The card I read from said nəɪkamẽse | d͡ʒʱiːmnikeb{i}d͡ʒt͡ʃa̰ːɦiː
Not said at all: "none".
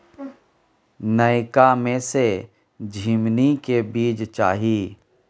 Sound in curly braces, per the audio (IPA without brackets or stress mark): iː